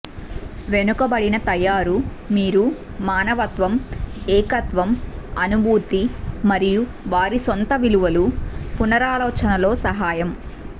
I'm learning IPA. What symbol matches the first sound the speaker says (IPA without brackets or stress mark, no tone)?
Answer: ʋ